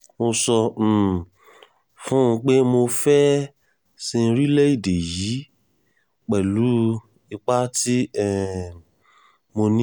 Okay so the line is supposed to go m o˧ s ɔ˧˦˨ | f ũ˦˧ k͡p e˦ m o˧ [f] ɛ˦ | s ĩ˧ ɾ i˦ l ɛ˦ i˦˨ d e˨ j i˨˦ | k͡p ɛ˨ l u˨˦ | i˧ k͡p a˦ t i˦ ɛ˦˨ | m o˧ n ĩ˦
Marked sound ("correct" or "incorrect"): correct